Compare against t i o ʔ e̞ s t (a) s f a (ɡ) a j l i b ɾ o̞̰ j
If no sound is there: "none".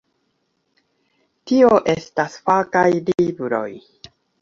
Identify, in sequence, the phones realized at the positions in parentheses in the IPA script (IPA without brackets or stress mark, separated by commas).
a, k